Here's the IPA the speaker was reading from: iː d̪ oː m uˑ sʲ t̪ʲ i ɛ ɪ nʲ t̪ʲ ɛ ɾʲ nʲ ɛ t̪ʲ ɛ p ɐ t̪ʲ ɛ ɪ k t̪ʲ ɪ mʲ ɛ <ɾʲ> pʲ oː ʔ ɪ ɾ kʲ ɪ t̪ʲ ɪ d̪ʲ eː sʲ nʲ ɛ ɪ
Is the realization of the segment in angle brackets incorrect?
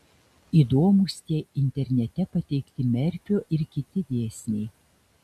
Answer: no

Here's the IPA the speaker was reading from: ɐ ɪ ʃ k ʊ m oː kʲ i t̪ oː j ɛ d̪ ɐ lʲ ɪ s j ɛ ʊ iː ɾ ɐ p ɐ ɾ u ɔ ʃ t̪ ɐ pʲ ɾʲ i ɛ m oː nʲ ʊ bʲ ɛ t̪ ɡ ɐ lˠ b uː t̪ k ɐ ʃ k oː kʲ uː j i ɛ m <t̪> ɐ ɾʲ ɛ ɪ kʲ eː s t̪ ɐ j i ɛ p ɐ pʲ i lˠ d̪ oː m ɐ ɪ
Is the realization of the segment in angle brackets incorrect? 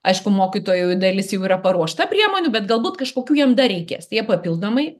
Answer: yes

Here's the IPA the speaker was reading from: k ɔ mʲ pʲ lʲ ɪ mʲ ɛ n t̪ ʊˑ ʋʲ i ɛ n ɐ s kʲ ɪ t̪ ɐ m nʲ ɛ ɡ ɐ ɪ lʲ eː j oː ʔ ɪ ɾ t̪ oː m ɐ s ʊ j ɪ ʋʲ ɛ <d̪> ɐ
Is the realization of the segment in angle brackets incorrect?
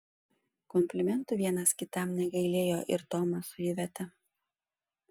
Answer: yes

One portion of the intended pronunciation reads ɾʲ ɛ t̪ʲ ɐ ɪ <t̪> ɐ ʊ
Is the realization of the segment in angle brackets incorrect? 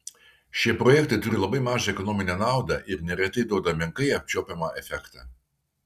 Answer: yes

